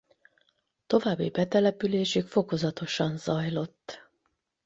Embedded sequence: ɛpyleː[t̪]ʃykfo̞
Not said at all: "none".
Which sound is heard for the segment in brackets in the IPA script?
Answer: none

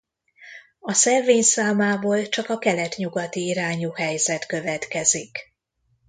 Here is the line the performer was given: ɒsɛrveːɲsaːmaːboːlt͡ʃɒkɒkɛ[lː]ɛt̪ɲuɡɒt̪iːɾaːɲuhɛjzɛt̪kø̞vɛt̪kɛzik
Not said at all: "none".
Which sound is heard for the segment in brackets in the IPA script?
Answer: l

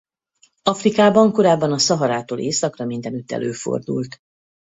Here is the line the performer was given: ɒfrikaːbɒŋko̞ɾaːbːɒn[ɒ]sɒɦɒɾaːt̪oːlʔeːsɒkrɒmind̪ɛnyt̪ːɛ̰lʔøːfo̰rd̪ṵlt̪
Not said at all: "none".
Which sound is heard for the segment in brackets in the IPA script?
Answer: ɒ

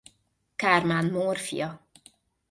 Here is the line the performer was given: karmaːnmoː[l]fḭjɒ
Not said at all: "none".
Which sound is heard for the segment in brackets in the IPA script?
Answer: r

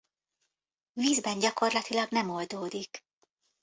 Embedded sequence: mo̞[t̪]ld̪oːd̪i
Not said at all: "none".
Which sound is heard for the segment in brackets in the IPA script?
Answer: none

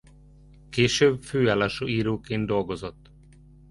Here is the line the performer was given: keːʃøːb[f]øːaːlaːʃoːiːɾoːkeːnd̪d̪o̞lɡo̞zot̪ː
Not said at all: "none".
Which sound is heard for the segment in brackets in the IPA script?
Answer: f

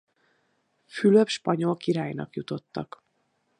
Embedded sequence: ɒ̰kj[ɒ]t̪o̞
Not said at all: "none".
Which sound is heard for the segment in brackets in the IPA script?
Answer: u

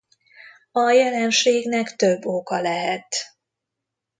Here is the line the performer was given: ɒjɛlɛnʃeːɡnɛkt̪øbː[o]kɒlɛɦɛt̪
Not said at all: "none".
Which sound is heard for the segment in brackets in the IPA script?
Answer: o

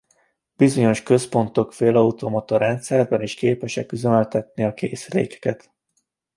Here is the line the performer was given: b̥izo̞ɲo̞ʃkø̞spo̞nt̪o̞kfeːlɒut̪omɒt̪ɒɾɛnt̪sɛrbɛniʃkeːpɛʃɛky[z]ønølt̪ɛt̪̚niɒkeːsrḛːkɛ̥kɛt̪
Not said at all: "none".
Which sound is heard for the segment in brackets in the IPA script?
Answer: z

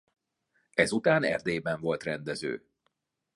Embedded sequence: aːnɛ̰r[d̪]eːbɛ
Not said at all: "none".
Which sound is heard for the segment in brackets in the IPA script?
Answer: d̪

